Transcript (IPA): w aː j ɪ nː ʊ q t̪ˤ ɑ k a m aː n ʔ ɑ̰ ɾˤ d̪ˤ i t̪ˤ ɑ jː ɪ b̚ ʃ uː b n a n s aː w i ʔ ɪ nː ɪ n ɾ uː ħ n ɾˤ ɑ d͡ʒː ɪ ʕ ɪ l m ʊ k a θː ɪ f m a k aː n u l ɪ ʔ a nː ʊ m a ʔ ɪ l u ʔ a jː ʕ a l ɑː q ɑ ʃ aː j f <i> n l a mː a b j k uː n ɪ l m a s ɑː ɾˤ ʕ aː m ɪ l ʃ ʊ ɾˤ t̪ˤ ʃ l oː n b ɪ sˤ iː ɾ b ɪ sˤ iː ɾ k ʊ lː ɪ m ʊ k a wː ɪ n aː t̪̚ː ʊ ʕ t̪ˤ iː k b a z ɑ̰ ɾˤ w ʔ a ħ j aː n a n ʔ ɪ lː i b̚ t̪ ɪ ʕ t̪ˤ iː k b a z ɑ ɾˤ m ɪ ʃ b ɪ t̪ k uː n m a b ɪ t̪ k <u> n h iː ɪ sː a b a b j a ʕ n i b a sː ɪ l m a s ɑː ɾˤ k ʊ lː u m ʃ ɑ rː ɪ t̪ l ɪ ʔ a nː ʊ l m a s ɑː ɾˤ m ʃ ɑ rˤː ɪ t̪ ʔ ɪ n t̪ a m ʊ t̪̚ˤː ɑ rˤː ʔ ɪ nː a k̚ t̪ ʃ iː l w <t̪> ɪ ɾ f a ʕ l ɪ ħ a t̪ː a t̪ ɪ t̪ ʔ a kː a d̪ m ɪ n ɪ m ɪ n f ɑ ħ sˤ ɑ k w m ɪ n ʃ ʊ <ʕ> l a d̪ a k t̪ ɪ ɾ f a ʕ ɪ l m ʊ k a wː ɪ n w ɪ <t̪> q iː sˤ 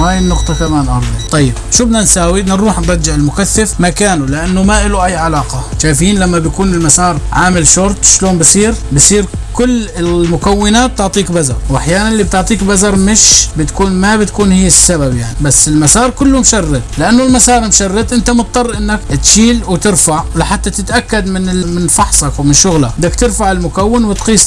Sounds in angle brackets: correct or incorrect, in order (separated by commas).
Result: incorrect, incorrect, correct, incorrect, correct